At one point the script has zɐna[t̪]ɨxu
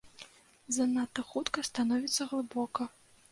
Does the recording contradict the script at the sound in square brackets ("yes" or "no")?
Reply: no